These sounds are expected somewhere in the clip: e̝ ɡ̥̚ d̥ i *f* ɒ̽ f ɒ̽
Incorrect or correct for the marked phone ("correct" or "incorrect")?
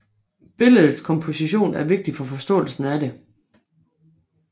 correct